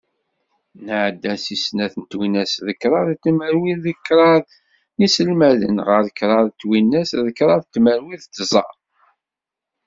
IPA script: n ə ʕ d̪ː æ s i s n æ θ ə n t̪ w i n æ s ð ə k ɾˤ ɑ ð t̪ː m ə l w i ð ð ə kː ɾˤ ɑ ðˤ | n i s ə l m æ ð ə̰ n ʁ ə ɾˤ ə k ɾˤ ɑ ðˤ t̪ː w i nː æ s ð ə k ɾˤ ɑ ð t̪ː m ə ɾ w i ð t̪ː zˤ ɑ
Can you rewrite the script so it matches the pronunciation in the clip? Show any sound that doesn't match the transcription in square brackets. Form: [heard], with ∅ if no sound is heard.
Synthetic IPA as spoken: n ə ʕ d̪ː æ s i s n æ θ ə n t̪ w i n æ s ð ə k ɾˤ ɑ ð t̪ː m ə [ɾ] w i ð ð ə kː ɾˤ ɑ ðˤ | n i s ə l m æ ð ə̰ n ʁ ə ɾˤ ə k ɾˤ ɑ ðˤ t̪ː w i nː æ s ð ə k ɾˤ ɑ ð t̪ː m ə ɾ w i ð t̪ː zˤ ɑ